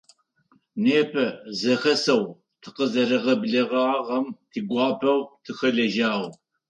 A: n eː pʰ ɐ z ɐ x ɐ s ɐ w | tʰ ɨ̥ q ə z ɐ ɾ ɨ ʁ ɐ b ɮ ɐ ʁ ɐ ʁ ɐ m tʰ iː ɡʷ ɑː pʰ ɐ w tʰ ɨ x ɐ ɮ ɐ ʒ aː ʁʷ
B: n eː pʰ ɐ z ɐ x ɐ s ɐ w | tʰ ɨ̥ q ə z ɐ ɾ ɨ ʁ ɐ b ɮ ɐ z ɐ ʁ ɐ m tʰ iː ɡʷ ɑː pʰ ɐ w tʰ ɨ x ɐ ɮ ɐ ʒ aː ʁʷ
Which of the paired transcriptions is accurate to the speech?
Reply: A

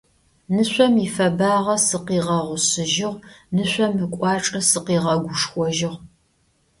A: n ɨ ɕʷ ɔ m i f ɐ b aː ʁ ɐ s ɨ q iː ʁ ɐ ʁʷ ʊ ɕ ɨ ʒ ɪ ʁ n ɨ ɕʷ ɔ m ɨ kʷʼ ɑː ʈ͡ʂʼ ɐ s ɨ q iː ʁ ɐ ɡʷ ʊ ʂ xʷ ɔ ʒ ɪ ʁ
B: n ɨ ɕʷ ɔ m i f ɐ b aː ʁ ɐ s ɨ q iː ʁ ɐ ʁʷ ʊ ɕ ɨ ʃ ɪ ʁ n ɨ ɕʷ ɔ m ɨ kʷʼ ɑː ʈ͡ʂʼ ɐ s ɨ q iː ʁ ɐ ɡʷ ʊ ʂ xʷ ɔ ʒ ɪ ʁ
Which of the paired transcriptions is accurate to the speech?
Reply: A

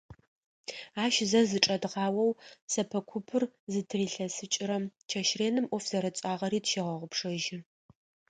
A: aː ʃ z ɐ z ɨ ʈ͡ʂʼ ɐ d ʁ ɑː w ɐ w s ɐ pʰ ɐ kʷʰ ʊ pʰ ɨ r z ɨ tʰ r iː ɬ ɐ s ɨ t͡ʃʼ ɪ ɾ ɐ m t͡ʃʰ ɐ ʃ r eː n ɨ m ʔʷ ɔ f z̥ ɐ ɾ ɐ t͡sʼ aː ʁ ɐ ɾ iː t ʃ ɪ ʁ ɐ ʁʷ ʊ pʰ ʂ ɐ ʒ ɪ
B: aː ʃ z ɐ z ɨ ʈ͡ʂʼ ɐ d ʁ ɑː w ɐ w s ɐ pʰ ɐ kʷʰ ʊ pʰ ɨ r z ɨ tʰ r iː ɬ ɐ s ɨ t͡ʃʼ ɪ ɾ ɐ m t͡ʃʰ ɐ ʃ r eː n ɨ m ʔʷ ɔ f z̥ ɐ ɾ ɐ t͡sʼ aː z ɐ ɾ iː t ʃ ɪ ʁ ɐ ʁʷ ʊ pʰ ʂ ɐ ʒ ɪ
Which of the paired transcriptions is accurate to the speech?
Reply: A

